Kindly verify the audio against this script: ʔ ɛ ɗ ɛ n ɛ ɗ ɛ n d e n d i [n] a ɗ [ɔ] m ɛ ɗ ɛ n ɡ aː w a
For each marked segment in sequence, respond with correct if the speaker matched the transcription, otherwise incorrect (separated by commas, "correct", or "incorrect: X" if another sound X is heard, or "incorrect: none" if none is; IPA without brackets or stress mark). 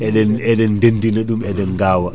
correct, incorrect: u